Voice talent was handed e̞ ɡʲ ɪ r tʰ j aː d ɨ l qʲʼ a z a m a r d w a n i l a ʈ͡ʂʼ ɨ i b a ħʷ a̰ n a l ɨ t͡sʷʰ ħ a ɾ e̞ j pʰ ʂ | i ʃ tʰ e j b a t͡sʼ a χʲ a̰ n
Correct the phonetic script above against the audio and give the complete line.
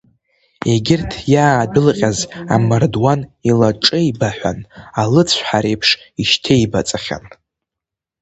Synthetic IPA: e̞ ɡʲ ɪ r tʰ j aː d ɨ l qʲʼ a z a m a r d w a n i l a ʈ͡ʂʼ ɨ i b a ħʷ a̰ n a l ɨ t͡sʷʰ ħ a ɾ e̞ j pʰ ʂ | i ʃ tʰ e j b a t͡sʼ a χʲ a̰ n